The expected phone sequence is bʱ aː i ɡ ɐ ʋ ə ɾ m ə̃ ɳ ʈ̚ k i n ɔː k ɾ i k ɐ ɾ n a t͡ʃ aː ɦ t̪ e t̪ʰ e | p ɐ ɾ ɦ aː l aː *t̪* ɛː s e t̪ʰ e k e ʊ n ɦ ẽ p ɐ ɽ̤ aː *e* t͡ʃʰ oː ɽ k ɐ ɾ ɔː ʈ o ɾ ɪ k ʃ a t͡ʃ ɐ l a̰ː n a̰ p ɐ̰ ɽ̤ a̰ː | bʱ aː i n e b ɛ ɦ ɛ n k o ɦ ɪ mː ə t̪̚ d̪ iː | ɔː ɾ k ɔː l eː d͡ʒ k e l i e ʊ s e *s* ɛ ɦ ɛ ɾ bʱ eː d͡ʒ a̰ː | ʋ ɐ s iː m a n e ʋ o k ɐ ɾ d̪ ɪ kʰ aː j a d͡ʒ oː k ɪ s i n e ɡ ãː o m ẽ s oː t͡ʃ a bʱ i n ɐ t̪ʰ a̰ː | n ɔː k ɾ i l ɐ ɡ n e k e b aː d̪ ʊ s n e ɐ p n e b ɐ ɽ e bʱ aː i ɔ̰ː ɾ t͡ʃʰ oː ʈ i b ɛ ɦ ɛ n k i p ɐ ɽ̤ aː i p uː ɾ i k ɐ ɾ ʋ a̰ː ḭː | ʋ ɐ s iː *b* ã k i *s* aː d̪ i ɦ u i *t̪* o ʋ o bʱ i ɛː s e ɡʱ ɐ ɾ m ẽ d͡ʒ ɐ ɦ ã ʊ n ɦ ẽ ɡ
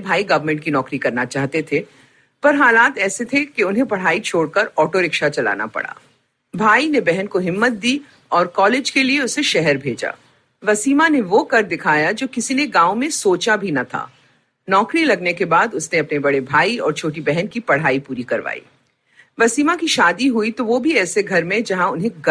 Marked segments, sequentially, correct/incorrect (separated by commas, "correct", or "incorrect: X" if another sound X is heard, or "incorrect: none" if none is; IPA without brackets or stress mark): correct, incorrect: i, incorrect: ʃ, incorrect: m, incorrect: ʃ, correct